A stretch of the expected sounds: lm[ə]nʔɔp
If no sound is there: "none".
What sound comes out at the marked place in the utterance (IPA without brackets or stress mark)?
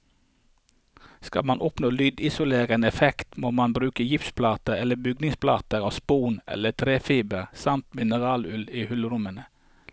ɑ